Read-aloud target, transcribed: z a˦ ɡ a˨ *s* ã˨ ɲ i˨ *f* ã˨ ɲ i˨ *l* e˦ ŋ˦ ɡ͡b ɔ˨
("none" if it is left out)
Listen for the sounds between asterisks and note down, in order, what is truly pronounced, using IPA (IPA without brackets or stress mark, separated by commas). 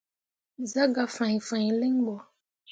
f, f, l